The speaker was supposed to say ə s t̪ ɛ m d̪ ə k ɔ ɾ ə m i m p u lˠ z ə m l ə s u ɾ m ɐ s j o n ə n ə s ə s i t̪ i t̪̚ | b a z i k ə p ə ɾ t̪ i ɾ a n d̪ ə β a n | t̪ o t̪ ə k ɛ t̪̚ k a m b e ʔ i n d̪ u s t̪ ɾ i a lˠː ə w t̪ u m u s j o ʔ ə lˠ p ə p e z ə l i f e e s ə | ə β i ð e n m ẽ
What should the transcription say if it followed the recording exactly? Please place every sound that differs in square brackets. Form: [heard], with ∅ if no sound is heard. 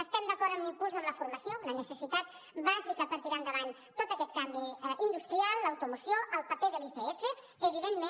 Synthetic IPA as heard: ə s t̪ ɛ m d̪ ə k ɔ ɾ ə m i m p u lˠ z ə m l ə [f] u ɾ m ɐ s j o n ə n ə s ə s i t̪ [a] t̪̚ | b a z i k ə p ə ɾ t̪ i ɾ a n d̪ ə β a n | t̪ o t̪ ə k ɛ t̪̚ k a m b [i] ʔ i n d̪ u s t̪ ɾ i a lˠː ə w t̪ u m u s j o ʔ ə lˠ p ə p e [ð] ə l i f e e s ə | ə β i ð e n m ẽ